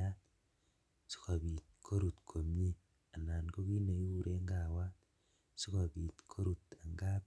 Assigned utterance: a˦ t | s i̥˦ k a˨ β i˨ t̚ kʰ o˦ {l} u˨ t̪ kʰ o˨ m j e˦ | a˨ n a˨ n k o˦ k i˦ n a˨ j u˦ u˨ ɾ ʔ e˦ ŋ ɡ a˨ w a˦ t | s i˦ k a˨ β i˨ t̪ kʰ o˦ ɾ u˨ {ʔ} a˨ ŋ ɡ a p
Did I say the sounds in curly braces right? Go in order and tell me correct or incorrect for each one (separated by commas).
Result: incorrect, incorrect